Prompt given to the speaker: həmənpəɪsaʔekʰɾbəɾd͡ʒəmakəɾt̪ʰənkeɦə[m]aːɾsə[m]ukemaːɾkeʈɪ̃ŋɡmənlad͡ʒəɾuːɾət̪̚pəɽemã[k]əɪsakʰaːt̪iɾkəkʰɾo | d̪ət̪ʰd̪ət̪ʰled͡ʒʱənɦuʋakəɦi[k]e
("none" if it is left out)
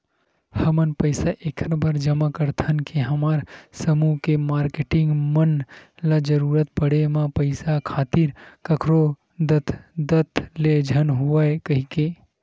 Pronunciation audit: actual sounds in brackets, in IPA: m, m, p, k

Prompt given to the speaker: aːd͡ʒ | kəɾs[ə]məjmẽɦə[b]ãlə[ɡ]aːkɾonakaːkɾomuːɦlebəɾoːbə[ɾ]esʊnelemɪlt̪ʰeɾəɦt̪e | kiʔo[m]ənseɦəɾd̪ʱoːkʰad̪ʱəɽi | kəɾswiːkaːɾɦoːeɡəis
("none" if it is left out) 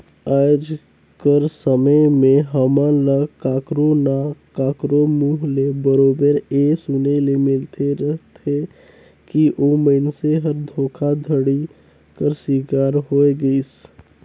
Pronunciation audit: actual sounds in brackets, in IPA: ə, m, k, ɾ, m

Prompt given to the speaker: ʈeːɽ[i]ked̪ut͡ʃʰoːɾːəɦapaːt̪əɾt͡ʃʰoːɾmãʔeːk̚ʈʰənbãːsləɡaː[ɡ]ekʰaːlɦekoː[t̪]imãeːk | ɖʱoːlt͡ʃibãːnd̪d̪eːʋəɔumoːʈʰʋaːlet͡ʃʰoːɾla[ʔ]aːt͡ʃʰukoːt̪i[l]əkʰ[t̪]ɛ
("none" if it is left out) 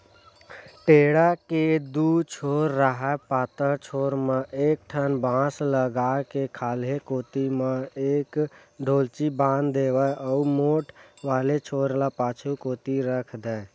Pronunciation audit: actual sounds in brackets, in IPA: a, k, t̪, p, ɾ, d̪

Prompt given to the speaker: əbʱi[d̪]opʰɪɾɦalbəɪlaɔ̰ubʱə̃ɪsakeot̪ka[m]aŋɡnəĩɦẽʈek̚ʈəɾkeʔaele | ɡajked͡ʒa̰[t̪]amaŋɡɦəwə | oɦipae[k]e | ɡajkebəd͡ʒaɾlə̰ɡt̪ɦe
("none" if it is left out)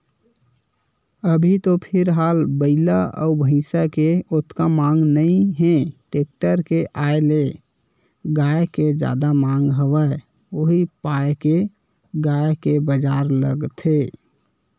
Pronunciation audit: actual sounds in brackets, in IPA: t̪, m, d̪, k

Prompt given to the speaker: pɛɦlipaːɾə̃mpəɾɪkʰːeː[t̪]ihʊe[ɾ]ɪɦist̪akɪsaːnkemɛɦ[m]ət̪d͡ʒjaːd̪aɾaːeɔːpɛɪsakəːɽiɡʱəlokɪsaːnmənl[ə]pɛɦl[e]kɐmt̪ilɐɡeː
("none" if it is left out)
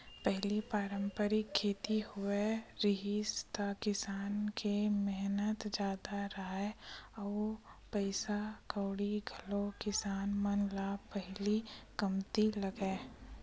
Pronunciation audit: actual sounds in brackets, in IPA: t̪, ɾ, n, a, i

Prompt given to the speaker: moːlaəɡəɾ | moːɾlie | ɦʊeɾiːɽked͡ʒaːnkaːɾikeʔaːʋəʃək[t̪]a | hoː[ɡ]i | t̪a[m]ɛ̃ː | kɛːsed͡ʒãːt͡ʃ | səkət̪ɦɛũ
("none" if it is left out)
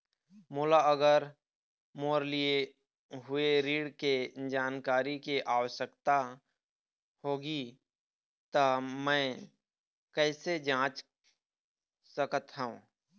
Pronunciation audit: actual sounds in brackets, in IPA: t̪, ɡ, m

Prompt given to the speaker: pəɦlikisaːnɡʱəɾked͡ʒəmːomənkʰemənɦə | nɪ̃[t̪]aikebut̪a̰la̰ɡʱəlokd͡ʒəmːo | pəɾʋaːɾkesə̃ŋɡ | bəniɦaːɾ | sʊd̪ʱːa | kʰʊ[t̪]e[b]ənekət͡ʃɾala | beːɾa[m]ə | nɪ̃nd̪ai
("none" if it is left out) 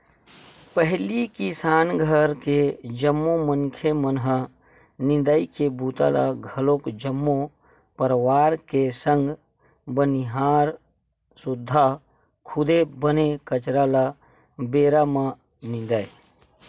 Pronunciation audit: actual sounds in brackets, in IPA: d̪, d̪, b, m

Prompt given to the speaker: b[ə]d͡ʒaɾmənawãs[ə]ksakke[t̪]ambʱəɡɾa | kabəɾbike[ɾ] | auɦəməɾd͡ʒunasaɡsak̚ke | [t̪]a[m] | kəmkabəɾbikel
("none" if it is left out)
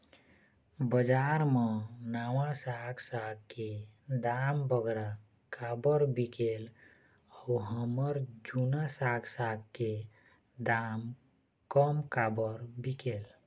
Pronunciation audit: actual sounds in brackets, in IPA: ə, a, d̪, l, d̪, m

